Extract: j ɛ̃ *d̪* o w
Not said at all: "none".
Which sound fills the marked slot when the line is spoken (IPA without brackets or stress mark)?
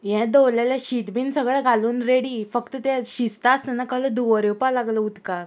d̪